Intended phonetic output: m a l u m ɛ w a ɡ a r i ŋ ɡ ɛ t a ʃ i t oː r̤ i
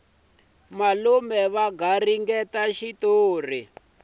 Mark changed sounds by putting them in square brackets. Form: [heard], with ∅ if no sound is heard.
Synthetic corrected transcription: m a l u m ɛ [β] a ɡ a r i ŋ ɡ ɛ t a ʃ i t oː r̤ i